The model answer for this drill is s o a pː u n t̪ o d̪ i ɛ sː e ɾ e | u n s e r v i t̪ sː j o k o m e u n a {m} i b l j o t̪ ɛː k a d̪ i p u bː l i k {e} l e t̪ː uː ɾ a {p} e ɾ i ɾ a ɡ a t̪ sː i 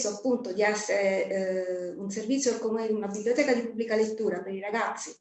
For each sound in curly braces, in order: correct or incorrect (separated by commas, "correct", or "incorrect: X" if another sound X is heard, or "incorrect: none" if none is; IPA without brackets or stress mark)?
incorrect: b, incorrect: a, correct